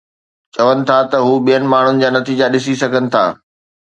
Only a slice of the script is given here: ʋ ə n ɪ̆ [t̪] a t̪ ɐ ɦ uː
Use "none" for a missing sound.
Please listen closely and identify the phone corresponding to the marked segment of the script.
t̪ʰ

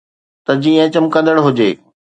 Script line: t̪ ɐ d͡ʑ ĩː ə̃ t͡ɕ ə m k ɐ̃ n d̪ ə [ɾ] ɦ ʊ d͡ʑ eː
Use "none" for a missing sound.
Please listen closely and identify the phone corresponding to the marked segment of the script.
ɽ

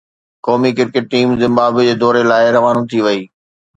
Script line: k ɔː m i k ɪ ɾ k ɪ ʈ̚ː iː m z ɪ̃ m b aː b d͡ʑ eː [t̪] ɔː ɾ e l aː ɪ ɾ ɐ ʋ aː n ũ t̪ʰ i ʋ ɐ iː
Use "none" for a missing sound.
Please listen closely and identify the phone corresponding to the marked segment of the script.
d̪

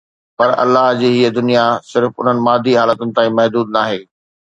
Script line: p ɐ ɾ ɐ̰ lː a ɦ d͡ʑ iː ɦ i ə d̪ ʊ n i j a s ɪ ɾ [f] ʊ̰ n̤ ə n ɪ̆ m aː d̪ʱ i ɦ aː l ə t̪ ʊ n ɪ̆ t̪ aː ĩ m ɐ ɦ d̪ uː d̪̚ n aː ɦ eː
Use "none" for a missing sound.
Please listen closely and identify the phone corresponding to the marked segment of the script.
f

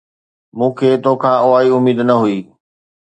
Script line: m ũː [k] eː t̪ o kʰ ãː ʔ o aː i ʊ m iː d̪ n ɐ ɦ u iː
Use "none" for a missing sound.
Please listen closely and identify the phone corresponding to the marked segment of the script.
kʰ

